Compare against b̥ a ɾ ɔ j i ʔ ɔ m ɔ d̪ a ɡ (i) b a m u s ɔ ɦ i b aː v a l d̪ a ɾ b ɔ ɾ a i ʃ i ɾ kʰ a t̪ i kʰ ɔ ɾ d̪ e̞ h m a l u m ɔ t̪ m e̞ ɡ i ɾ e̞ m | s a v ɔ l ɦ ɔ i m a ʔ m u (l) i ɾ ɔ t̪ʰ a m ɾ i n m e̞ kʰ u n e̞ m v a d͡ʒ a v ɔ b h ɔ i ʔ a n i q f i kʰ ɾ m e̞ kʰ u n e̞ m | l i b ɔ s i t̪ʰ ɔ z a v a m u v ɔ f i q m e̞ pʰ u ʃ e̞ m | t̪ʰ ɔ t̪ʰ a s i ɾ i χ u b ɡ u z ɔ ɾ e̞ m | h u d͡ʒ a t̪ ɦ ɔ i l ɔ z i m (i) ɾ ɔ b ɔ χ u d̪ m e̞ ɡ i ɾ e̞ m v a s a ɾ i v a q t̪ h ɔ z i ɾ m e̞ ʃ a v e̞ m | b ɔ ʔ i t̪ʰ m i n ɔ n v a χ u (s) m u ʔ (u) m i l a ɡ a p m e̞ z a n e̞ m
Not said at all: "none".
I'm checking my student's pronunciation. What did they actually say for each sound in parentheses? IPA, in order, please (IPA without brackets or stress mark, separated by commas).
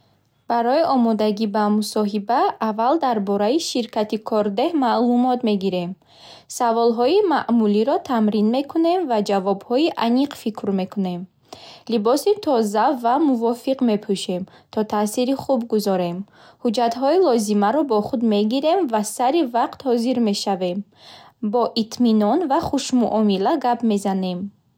i, l, a, ʃ, ɔ